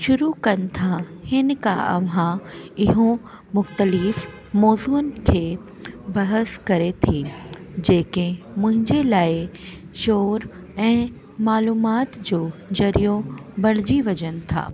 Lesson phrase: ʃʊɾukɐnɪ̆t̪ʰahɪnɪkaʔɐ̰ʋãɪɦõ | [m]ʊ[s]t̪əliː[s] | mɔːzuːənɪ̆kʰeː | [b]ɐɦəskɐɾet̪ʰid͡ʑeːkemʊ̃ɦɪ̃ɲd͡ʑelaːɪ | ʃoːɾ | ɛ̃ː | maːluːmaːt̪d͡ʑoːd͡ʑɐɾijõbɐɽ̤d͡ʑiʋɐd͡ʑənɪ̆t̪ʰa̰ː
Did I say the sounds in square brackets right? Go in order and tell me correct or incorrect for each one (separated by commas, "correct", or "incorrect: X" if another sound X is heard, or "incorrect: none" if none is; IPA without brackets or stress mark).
correct, incorrect: x, incorrect: f, correct